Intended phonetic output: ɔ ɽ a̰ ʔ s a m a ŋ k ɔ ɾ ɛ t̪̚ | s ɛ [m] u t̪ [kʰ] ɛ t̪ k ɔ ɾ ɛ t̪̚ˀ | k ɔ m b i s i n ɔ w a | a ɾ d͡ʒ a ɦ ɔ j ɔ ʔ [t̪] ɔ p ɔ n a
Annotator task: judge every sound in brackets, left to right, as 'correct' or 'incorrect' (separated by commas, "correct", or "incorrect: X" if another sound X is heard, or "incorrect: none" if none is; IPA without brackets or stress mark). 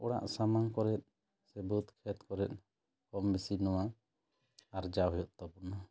incorrect: b, correct, correct